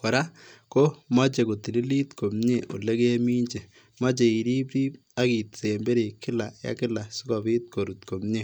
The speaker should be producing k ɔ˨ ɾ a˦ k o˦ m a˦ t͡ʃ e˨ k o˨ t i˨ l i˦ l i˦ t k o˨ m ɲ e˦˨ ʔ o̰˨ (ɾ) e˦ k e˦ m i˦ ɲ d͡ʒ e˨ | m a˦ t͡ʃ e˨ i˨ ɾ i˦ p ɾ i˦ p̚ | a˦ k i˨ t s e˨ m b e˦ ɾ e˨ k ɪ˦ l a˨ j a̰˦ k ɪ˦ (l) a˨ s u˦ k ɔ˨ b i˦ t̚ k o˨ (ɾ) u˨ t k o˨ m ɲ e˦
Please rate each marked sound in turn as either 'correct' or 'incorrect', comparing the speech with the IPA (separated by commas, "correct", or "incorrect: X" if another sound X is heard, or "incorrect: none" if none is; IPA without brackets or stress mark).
incorrect: l, correct, correct